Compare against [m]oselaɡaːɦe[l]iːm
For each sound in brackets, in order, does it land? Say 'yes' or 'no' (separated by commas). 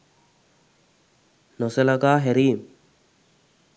no, no